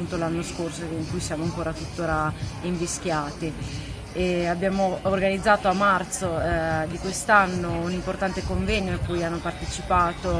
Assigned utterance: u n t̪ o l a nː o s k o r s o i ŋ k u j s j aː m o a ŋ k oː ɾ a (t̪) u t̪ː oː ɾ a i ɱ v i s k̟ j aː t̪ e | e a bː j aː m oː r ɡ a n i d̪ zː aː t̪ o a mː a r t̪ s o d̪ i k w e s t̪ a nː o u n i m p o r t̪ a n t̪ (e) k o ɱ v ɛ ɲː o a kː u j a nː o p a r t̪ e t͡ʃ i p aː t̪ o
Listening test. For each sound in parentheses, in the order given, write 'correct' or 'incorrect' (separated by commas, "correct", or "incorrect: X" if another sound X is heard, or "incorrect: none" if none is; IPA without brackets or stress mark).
correct, correct